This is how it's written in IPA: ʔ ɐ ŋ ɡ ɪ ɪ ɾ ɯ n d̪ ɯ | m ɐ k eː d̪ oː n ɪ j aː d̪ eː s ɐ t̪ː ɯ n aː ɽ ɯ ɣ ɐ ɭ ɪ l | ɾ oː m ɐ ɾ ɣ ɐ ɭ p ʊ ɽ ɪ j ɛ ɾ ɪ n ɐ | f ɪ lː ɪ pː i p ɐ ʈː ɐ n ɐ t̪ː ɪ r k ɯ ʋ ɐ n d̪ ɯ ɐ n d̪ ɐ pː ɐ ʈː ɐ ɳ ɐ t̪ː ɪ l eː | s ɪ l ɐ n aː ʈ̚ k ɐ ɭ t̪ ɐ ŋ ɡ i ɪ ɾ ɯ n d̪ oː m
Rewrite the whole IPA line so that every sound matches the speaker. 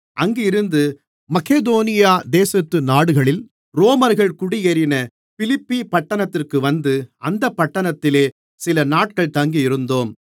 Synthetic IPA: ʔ ɐ ŋ ɡ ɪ ɪ ɾ ɯ n d̪ ɯ | m ɐ k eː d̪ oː n ɪ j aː d̪ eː s ɐ t̪ː ɯ n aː ɽ ɯ ɣ ɐ ɭ ɪ l | ɾ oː m ɐ ɾ ɣ ɐ ɭ k ʊ ɽ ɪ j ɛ ɾ ɪ n ɐ | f ɪ l ɪ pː i p ɐ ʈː ɐ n ɐ t̪ː ɪ r k ɯ ʋ ɐ n d̪ ɯ ɐ n d̪ ɐ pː ɐ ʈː ɐ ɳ ɐ t̪ː ɪ l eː | s ɪ l ɐ n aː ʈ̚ k ɐ ɭ t̪ ɐ ŋ ɡ i ɪ ɾ ɯ n d̪ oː m